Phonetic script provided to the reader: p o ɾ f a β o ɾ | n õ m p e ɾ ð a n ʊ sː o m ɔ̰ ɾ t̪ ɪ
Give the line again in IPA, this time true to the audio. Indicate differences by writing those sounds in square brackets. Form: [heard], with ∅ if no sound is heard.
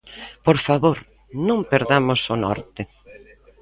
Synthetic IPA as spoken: p o ɾ f a β o ɾ | n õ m p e ɾ ð a [m] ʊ [s] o [n] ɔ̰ ɾ t̪ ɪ